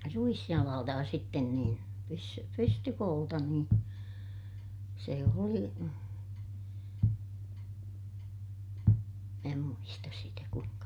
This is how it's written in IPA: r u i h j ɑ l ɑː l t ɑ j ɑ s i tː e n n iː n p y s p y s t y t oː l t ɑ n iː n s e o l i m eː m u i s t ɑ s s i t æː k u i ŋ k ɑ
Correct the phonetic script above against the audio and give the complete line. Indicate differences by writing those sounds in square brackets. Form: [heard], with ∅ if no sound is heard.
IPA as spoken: r u i [s] j ɑ l ɑː l t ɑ j ɑ s i tː e n n iː n p y s p y s t y [k] oː l t ɑ n iː n s e o l i m [æː] m u i s t ɑ s s i t [æ] k u i ŋ k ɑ